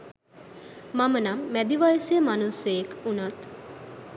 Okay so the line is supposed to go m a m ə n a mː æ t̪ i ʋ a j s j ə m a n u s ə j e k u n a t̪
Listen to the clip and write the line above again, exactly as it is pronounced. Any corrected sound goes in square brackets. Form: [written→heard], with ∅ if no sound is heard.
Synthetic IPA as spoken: m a m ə n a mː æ [t̪→d̪] i ʋ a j s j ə m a n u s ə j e k u n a t̪